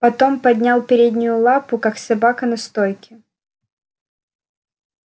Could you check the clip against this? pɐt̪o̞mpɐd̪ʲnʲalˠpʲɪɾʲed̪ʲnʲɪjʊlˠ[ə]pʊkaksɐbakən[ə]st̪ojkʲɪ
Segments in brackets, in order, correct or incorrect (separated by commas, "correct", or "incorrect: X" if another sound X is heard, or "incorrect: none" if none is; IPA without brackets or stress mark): incorrect: a, incorrect: ɐ